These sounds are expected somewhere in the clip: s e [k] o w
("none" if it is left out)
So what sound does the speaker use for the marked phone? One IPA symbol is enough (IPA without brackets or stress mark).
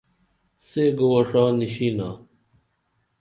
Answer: ɡ